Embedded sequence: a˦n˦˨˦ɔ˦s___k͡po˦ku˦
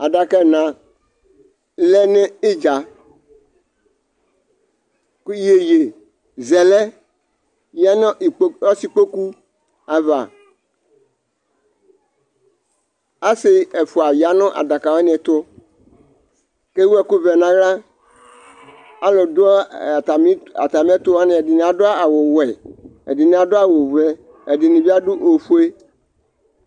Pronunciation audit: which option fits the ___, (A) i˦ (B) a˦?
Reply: A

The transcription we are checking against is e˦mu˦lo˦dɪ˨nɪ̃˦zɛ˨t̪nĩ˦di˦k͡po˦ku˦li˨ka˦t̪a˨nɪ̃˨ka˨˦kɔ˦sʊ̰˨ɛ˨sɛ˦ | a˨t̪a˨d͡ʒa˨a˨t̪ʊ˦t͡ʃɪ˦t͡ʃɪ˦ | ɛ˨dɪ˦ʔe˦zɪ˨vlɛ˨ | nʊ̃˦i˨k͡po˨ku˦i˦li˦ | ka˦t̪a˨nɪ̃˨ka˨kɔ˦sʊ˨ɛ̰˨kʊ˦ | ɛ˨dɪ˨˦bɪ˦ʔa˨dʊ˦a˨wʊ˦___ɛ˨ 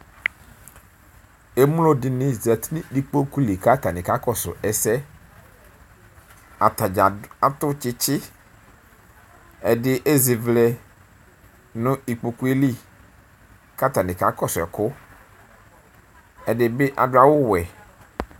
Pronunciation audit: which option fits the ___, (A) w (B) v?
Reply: A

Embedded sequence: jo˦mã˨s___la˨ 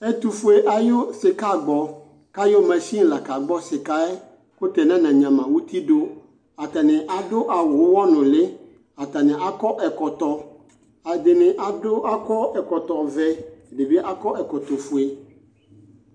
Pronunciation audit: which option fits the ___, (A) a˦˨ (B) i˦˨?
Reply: B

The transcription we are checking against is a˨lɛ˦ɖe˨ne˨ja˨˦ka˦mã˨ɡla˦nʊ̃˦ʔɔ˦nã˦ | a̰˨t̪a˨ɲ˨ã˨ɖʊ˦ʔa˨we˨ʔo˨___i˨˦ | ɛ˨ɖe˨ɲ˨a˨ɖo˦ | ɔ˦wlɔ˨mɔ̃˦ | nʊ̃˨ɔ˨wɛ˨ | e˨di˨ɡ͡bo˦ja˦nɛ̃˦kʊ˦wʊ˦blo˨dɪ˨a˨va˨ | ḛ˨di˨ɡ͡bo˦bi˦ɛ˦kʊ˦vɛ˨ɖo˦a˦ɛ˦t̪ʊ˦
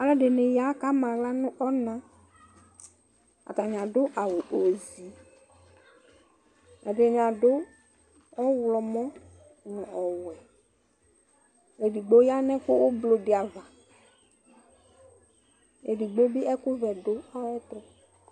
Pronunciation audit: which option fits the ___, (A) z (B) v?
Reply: A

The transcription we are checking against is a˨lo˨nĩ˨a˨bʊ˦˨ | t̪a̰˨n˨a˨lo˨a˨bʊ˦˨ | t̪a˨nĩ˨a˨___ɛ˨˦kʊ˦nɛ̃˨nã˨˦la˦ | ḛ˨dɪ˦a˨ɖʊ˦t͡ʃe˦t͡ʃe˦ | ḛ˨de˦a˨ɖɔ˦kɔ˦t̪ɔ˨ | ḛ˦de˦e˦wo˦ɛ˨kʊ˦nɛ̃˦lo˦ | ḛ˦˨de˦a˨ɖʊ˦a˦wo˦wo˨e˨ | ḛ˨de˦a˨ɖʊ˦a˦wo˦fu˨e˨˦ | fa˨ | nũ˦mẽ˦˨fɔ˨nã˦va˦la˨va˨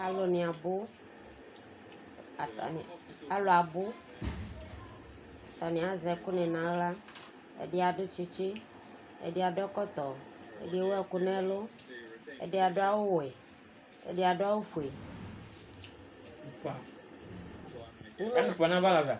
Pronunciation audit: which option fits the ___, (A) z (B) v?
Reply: A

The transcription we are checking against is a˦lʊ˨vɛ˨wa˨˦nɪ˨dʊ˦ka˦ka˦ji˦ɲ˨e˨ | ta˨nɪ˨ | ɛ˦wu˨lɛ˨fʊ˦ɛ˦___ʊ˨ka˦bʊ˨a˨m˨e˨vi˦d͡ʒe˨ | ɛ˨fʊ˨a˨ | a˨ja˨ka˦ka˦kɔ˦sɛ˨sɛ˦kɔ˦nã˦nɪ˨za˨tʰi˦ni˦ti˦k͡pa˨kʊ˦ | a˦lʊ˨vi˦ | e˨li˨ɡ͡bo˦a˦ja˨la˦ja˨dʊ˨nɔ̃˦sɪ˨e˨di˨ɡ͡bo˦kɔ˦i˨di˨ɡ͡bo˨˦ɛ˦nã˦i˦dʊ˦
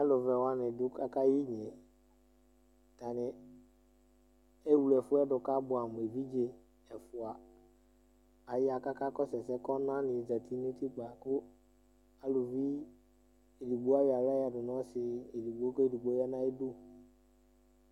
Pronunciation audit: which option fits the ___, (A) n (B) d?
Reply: B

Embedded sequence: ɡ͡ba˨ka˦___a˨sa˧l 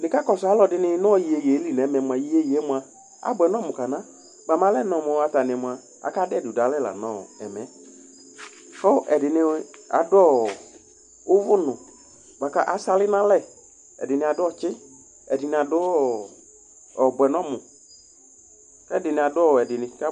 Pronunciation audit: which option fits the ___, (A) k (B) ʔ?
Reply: B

